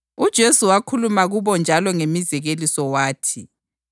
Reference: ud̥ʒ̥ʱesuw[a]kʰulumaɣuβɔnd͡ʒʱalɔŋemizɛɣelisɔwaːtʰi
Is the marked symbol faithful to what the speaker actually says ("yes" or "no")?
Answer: yes